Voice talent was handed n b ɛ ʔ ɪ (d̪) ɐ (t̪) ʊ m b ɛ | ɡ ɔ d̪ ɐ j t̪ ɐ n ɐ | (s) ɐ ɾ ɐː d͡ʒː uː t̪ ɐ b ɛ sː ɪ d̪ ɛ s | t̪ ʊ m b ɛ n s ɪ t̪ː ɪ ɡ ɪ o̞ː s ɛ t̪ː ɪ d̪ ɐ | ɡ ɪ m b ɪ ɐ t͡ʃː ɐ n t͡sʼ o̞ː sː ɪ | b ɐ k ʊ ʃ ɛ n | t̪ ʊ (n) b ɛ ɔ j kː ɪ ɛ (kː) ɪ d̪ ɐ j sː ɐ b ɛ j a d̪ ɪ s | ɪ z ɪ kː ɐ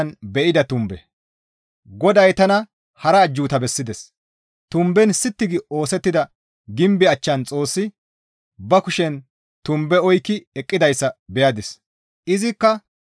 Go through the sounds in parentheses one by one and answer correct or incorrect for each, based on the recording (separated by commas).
correct, correct, incorrect, incorrect, incorrect